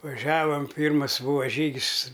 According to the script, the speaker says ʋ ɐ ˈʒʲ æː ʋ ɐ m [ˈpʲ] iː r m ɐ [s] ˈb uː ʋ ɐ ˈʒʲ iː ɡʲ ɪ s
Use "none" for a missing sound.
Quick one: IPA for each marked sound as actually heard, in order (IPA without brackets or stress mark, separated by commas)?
pʲ, s